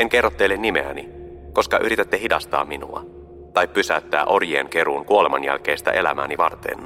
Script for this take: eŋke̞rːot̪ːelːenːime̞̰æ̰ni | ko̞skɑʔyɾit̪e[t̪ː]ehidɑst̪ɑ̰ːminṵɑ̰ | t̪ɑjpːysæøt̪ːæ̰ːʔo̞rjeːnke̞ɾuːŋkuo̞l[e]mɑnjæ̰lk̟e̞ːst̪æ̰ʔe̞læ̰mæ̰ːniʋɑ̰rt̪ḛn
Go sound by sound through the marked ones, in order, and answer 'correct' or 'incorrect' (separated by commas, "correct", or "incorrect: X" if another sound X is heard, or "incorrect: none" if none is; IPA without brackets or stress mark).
correct, correct